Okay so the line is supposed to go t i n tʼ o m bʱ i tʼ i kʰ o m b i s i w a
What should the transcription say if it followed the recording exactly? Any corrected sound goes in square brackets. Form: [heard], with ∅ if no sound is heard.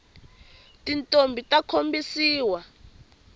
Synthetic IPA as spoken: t i n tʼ o m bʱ i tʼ [a] kʰ o m b i s [iː] w a